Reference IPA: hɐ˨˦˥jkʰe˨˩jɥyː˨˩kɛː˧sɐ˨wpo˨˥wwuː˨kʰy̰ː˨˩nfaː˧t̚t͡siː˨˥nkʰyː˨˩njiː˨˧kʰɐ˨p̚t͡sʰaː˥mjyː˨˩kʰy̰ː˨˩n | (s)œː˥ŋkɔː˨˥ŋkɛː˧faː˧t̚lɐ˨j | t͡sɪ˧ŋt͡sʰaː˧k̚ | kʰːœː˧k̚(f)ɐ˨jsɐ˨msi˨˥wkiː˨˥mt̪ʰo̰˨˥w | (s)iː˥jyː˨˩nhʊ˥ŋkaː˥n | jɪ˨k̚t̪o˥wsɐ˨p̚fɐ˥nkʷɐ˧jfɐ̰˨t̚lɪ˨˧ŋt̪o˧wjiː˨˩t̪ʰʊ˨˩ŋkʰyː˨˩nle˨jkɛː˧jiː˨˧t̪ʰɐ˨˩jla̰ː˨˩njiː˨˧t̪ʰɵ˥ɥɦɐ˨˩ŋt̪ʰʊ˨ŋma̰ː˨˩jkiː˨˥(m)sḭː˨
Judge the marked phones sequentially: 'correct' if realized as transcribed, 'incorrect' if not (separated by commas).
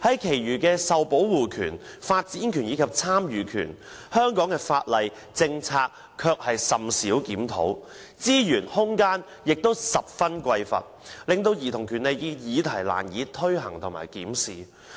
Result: incorrect, incorrect, incorrect, correct